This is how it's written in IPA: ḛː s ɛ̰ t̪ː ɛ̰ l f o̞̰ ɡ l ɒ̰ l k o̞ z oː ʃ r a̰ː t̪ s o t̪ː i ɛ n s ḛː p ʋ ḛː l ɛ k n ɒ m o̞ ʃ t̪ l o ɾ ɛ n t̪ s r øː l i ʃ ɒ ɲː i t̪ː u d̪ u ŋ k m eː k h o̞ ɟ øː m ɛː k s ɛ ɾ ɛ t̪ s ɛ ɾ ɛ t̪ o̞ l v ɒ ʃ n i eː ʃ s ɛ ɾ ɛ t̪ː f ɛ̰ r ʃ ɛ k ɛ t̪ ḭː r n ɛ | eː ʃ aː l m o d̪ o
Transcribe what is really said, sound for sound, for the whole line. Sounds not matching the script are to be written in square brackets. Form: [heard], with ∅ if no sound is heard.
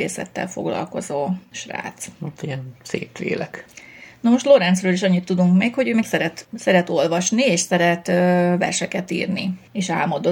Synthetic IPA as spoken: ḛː s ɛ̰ t̪ː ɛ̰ l f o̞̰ ɡ l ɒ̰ l k o̞ z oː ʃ r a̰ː t̪ s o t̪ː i ɛ n s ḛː p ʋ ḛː l ɛ k n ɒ m o̞ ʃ t̪ l o ɾ ɛ n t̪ s r øː l i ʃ ɒ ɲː i t̪ː u d̪ u ŋ k m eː k h o̞ ɟ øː m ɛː k s ɛ ɾ ɛ t̪ s ɛ ɾ ɛ t̪ o̞ l v ɒ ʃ n i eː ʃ s ɛ ɾ ɛ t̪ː [v] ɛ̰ r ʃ ɛ k ɛ t̪ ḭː r n [i] | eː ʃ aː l m o d̪ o